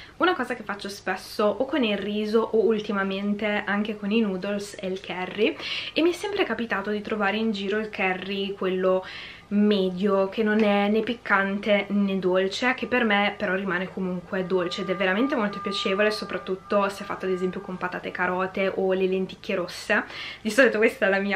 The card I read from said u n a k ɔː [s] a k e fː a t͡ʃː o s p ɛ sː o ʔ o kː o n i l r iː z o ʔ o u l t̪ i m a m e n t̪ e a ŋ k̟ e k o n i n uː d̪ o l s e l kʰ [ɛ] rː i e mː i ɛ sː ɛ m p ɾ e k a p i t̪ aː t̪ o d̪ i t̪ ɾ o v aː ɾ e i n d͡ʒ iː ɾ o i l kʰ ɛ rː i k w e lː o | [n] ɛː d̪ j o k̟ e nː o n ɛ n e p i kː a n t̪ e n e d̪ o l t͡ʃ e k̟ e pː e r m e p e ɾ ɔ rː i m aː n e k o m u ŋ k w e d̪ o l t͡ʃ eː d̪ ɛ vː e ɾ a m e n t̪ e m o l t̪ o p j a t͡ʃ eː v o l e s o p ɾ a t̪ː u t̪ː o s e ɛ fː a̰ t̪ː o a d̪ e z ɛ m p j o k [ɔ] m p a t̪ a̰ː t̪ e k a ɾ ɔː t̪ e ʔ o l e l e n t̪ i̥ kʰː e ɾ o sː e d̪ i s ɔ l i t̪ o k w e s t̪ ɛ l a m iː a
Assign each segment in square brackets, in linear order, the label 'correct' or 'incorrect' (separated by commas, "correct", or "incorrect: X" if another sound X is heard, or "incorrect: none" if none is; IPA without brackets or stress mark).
incorrect: z, correct, incorrect: m, incorrect: o